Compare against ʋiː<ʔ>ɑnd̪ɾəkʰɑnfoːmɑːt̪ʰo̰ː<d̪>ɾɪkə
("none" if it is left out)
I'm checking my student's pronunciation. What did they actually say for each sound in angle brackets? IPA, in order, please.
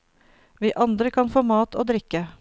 ʔ, d̪

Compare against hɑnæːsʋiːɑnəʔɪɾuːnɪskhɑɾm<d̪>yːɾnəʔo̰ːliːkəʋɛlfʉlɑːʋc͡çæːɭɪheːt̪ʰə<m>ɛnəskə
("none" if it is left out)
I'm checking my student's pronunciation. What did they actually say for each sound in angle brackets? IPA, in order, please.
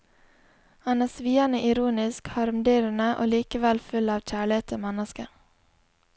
d̪, m

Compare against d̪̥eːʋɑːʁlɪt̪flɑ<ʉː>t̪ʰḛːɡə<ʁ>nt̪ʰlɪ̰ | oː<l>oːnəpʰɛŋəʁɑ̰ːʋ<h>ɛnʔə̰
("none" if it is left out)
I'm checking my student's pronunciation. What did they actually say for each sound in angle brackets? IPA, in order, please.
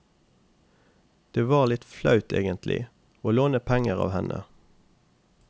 ʉ, none, l, h

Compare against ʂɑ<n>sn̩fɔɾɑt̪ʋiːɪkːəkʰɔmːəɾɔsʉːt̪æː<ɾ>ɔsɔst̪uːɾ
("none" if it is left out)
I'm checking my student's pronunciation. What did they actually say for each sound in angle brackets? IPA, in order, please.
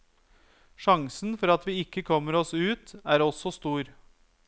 ŋ, ɾ

